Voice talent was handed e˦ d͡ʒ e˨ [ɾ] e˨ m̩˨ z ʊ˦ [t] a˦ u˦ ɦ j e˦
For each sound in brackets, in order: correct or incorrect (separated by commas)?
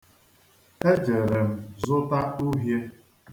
correct, correct